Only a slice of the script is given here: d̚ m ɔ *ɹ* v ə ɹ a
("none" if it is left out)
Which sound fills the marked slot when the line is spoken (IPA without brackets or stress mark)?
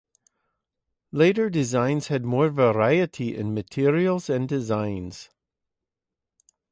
ɹ